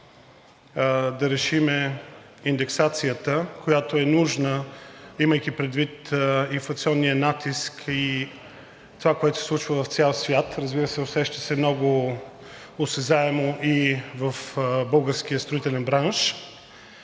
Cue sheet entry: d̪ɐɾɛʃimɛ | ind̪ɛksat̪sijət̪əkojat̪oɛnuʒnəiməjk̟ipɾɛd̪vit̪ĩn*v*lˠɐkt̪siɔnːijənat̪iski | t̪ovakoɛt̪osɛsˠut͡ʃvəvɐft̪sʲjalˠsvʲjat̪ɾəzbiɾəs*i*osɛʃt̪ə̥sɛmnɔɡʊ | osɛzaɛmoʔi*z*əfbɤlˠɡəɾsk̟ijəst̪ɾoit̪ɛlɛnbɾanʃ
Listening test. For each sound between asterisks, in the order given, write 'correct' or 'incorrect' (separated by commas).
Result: incorrect, incorrect, incorrect